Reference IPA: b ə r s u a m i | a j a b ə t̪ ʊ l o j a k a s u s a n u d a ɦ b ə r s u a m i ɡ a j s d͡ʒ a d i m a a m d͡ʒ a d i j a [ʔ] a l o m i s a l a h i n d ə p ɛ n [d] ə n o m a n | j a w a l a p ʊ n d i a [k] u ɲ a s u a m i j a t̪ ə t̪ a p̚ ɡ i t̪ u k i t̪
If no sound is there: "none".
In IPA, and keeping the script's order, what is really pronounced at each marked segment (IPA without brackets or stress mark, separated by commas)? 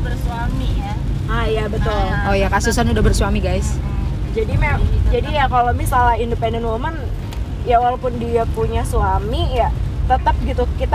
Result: k, d, p